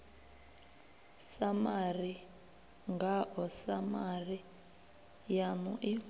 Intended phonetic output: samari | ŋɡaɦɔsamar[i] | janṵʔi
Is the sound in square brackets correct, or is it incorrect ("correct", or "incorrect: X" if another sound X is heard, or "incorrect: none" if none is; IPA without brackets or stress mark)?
correct